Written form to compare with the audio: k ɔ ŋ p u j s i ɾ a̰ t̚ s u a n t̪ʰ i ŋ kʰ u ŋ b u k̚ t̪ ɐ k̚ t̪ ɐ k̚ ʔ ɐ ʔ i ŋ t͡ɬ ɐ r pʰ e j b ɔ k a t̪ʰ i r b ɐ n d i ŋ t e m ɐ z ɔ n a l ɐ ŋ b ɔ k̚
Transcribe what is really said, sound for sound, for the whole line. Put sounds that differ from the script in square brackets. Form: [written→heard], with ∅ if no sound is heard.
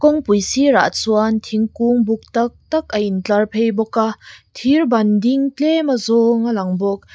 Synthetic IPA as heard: k ɔ ŋ p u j s i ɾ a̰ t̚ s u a n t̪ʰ i ŋ [kʰ→k] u ŋ b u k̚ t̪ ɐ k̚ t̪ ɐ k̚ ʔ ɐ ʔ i [ŋ→n] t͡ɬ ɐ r pʰ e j b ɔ k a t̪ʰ i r b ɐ n d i ŋ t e m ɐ z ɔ [n→ŋ] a l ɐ ŋ b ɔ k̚